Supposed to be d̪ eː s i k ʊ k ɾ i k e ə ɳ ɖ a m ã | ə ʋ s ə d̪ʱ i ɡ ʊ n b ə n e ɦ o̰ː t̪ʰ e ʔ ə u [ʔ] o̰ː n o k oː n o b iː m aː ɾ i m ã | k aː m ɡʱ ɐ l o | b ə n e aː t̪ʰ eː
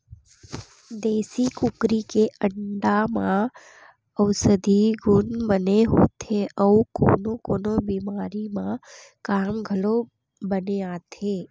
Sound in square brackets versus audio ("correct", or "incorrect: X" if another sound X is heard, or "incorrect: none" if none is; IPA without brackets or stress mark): incorrect: k